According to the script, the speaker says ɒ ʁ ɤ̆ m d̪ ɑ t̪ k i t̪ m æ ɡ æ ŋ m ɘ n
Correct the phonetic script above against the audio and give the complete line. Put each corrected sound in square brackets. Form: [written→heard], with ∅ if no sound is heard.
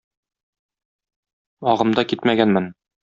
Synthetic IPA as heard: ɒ ʁ ɤ̆ m d̪ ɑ [t̪→∅] k i t̪ m æ ɡ æ [ŋ→n] m ɘ n

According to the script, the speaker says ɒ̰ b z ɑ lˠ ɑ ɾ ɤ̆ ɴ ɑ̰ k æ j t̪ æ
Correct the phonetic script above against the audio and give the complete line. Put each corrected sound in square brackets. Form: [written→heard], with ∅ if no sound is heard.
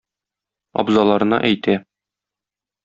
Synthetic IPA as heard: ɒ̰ b z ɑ lˠ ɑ ɾ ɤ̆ [ɴ→n] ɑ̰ [k→ʔ] æ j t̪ æ

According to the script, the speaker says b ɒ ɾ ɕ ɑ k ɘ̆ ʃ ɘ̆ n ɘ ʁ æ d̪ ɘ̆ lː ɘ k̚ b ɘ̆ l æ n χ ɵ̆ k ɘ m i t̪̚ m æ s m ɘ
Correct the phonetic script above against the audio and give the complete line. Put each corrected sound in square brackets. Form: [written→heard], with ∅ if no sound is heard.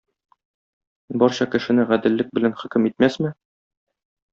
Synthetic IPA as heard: b ɒ ɾ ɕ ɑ k ɘ̆ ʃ ɘ̆ n ɘ ʁ æ d̪ ɘ̆ lː ɘ k̚ b ɘ̆ l æ n χ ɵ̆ k ɘ m i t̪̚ m æ s m ɘ

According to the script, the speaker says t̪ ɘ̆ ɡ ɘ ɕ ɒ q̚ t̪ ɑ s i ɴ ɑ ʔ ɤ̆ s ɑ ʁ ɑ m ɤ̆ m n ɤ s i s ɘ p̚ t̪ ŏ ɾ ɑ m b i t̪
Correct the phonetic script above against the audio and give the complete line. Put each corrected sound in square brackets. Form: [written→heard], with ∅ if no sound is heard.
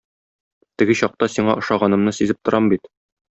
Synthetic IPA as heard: t̪ ɘ̆ ɡ ɘ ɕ ɒ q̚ t̪ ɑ s i ɴ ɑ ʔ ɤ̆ [s→ʃ] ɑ ʁ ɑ [m→n] ɤ̆ m n ɤ s i [s→z] ɘ p̚ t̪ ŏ ɾ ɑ m b i t̪

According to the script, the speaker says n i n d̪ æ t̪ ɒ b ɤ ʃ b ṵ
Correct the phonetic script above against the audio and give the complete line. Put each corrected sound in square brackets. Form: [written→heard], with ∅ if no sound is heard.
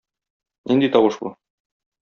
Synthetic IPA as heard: n i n d̪ [æ→i] t̪ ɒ [b→w] ɤ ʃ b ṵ

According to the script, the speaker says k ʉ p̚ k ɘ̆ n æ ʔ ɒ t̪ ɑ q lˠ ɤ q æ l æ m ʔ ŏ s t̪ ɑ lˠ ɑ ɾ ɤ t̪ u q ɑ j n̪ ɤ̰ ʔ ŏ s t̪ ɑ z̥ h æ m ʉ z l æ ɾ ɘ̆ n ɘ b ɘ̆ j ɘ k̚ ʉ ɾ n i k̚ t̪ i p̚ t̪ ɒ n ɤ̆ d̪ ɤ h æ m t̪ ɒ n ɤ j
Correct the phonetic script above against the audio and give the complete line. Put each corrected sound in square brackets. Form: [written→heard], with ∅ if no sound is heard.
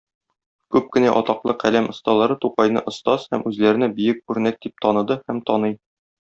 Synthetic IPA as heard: k ʉ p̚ k ɘ̆ n æ ʔ ɒ t̪ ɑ q lˠ ɤ q æ l æ m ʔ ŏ s t̪ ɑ lˠ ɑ ɾ ɤ t̪ u q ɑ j n̪ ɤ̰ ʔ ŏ s t̪ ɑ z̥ h æ m ʉ z l æ ɾ ɘ̆ n ɘ b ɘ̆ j ɘ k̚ ʉ ɾ n [i→æ] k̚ [t̪→d̪] i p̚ t̪ ɒ n ɤ̆ d̪ ɤ h æ m t̪ ɒ n ɤ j

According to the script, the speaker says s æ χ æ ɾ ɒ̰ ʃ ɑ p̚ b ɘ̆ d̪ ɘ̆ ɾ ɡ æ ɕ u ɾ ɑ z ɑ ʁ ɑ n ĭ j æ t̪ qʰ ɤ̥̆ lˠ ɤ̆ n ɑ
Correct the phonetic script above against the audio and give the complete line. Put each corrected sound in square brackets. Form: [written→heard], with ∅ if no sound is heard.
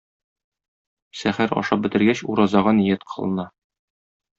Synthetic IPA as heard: s æ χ æ ɾ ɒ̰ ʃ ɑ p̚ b ɘ̆ [d̪→t̪] ɘ̆ ɾ ɡ æ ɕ u ɾ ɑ z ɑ ʁ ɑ n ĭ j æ t̪ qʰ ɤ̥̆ lˠ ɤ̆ n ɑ

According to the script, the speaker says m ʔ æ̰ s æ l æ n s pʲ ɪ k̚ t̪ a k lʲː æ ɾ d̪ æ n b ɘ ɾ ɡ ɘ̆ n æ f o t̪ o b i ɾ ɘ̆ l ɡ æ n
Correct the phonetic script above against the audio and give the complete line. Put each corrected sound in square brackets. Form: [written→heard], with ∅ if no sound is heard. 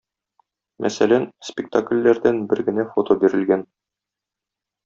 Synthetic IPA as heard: m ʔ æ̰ s æ l æ n s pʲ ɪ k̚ t̪ a k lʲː æ ɾ d̪ æ n b ɘ ɾ ɡ ɘ̆ n æ f o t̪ o b i ɾ ɘ̆ l ɡ æ n

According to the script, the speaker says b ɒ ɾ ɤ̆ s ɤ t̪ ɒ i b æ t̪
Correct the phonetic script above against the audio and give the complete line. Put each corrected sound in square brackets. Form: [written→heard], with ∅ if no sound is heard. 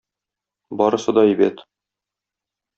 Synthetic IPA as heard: b ɒ ɾ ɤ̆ s ɤ [t̪→d̪] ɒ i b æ t̪

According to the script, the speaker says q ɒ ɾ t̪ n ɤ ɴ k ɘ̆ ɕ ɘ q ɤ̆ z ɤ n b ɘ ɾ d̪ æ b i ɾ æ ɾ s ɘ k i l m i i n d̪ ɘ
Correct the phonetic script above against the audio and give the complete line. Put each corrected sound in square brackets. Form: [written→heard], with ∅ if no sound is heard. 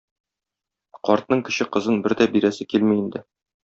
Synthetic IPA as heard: q ɒ ɾ t̪ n ɤ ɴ k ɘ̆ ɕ ɘ q ɤ̆ z ɤ n b ɘ ɾ d̪ æ b i ɾ æ [ɾ→∅] s ɘ k i l m i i n d̪ ɘ

